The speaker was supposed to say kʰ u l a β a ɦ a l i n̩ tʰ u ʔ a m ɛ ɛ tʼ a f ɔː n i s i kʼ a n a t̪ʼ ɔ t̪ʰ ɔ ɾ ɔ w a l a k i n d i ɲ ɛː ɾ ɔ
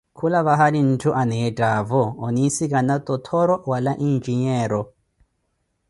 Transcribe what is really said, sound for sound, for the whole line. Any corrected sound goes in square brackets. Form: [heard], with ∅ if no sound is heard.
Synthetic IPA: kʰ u l a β a ɦ a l i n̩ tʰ u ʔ a [n] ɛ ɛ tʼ a [v] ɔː n i s i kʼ a n a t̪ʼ ɔ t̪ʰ ɔ ɾ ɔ w a l a [ʔ] i n [d͡ʒ] i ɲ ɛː ɾ ɔ